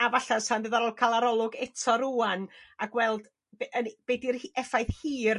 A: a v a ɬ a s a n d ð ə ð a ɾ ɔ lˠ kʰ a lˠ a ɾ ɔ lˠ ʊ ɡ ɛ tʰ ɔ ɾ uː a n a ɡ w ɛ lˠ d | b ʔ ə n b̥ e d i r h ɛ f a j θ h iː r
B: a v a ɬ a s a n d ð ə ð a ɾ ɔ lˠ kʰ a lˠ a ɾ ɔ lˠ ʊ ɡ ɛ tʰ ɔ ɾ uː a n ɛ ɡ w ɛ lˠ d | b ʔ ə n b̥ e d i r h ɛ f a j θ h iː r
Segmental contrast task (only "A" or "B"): A